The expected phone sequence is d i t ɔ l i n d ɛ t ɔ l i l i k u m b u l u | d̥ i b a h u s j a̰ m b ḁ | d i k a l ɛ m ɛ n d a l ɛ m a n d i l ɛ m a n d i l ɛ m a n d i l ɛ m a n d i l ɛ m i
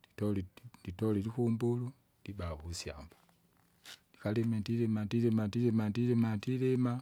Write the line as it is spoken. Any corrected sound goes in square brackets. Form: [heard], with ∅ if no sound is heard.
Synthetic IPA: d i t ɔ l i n d [i] t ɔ l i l i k u m b u l u | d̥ i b a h u s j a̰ m b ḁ | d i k a l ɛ m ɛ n d [i] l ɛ m a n d i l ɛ m a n d i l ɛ m a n d i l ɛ m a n d i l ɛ m [a]

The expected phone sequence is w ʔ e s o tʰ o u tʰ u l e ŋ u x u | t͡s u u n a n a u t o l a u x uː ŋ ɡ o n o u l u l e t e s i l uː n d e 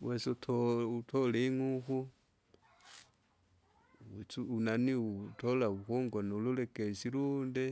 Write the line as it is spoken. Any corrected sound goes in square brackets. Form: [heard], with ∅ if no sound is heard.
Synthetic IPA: w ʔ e s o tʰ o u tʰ [o] l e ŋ u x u | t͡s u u n a n [i] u t o l a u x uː ŋ ɡ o n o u l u l e [k] e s i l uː n d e

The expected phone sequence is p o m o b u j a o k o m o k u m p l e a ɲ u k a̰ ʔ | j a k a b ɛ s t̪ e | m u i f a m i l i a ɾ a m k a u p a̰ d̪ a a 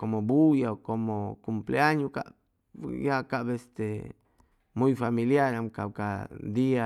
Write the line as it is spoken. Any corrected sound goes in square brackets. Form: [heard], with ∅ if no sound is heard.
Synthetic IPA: [k] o m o b u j a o k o m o k u m p l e a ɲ u k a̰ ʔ | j a k a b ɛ s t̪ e | m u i f a m i l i a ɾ a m k a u [k] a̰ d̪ [i] a

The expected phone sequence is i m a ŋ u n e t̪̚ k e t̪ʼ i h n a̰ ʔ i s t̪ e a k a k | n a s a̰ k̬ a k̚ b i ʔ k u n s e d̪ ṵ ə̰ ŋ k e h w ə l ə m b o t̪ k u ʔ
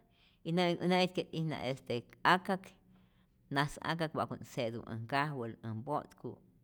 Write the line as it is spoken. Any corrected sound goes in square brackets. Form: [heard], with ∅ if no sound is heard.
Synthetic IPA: i [n] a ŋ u n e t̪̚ k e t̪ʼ i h n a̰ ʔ [e] s t̪ e a k a k | n a s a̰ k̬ a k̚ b [a] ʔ k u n s e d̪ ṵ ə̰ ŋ k [a] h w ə l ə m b o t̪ k u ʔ

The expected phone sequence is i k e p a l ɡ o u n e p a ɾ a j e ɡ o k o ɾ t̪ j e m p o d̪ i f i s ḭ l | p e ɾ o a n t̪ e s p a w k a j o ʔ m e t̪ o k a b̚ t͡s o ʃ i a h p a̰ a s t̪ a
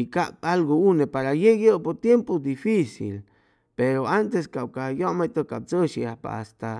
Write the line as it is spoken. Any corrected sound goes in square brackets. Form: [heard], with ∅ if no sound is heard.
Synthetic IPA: i k [a] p a l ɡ o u n e p a ɾ a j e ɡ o [p] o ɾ t̪ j e m p o d̪ i f i s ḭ l | p e ɾ o a n t̪ e s [k] a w k a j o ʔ m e t̪ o k a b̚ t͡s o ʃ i a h p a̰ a s t̪ a

